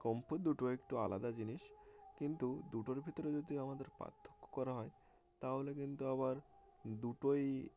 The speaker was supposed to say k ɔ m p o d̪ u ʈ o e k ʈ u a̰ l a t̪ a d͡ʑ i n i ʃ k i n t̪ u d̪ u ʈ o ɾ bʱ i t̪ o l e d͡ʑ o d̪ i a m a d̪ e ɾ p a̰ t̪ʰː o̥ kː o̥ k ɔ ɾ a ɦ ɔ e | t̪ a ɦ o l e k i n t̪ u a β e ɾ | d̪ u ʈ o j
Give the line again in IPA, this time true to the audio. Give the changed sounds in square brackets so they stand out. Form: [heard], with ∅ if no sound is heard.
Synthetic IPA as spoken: k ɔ m p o d̪ u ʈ o e k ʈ u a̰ l a [d̪] a d͡ʑ i n i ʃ k i n t̪ u d̪ u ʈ o ɾ bʱ i t̪ o [ɾ] e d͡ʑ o d̪ i a m a d̪ e ɾ p a̰ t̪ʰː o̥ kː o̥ k ɔ ɾ a ɦ ɔ e | t̪ a ɦ o l e k i n t̪ u a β [a] ɾ | d̪ u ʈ o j